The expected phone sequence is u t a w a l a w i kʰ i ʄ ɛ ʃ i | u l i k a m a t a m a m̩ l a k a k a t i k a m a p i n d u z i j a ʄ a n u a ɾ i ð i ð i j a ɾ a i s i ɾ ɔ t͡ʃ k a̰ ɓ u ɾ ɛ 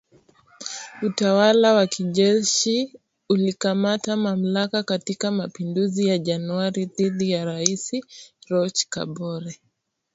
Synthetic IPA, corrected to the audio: u t a w a l a w a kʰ i ʄ ɛ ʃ i | u l i k a m a t a m a m̩ l a k a k a t i k a m a p i n d u z i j a ʄ a n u a ɾ i ð i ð i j a ɾ a i s i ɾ ɔ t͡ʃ k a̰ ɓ ɔ ɾ ɛ